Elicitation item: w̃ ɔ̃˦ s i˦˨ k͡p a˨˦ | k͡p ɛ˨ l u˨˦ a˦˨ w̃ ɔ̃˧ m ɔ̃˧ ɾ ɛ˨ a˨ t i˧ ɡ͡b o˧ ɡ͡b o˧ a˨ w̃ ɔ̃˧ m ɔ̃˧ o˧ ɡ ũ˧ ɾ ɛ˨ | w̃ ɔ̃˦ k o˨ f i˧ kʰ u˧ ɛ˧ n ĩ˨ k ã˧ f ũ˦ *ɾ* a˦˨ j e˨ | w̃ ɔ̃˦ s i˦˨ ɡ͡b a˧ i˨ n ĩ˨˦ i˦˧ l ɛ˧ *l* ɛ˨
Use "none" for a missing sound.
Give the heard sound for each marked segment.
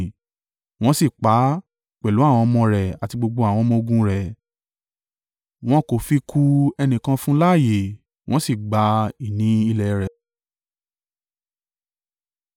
l, ɾ

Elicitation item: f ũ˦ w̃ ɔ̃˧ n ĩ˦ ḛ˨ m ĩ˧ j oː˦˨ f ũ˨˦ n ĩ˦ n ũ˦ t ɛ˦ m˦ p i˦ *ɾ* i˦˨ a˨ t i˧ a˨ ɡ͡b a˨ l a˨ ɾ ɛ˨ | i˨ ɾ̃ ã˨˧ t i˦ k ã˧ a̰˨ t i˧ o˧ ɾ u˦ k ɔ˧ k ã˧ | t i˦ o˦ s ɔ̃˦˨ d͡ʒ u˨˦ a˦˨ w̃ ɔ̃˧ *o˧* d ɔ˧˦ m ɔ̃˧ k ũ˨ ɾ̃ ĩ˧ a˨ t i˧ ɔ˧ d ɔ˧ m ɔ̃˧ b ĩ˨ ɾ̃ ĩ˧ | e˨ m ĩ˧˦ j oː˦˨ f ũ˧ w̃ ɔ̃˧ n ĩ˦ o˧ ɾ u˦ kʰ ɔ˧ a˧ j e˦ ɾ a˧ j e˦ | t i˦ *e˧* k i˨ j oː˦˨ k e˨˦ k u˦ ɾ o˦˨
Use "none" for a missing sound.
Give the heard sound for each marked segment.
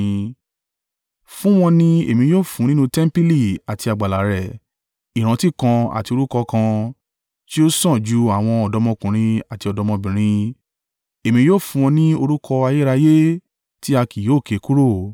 l, ɔ˧, a˧

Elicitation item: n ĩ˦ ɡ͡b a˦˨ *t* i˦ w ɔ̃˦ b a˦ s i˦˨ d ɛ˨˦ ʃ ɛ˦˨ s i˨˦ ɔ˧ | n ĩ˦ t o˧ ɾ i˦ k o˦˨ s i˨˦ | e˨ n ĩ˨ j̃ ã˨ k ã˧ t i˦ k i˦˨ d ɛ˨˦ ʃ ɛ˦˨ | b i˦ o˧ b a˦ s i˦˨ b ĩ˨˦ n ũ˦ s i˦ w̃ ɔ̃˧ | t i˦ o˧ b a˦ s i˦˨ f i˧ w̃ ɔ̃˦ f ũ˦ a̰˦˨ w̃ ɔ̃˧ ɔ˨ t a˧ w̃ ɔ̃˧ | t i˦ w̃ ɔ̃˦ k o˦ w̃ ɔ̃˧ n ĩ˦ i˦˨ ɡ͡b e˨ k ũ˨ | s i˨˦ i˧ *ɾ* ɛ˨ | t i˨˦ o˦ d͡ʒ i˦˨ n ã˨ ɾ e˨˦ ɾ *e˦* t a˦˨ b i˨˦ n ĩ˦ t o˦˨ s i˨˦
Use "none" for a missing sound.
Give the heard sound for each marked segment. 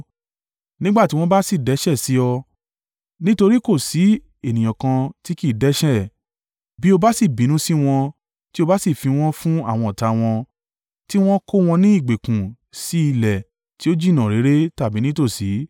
t, l, e˦

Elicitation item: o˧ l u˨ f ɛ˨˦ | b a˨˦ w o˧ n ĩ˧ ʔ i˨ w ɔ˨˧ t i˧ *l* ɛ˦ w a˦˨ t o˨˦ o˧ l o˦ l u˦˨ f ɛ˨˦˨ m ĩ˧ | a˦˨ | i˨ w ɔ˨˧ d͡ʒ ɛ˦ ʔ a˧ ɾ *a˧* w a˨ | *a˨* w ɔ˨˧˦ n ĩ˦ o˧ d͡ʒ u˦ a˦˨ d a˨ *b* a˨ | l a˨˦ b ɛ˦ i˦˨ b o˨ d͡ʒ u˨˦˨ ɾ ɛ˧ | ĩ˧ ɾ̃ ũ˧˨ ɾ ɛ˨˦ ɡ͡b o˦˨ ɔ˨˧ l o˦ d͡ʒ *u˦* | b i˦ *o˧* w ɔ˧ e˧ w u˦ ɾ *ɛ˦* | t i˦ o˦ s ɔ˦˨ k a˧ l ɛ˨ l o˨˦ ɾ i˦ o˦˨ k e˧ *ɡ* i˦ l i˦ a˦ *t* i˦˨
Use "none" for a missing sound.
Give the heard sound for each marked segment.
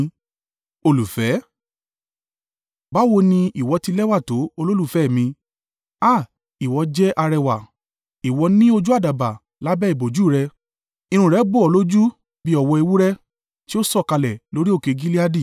l, ɛ˧, i˨, b, u˦, ɔ˧, ɛ˦, ɡ, d

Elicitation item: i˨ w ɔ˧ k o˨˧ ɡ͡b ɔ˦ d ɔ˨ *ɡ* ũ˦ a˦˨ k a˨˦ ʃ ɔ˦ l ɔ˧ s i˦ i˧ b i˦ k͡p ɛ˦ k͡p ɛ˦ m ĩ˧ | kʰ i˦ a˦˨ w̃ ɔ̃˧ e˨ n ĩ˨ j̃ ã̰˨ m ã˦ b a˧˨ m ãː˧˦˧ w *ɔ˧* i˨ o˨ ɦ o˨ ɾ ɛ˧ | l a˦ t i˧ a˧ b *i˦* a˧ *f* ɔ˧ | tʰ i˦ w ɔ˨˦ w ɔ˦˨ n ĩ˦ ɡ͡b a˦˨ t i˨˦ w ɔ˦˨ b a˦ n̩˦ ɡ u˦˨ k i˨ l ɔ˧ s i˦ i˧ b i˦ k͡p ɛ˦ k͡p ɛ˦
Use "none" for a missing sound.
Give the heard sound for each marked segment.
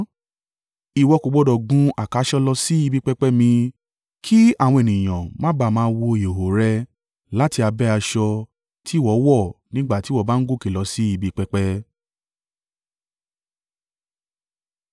ɡ, o˧, ɛ˦, ʃ

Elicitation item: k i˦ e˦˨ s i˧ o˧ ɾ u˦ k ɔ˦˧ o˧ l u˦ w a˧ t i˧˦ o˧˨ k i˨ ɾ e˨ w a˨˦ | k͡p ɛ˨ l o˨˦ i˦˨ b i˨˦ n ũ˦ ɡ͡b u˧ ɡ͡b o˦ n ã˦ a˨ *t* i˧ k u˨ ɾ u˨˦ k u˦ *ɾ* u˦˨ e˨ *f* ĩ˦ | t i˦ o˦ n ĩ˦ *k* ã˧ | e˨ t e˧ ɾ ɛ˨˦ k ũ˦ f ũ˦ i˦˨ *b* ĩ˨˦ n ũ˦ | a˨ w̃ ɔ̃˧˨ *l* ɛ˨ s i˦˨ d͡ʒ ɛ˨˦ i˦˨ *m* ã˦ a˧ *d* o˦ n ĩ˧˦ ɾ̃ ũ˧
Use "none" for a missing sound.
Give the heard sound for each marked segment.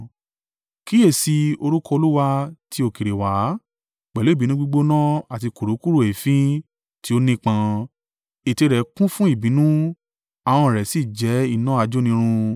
t, ɾ, f, k͡p, b, ɾ, n, d͡ʒ

